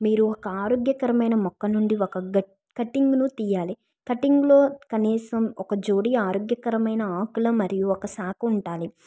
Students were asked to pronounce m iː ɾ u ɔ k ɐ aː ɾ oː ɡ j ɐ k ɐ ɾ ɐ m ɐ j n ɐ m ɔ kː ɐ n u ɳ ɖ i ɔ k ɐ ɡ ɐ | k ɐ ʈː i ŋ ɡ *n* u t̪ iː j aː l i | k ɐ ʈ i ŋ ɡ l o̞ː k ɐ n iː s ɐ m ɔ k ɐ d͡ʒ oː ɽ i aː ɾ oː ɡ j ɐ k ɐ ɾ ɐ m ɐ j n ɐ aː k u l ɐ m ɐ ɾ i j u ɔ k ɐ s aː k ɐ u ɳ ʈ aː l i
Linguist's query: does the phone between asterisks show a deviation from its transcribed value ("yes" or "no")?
no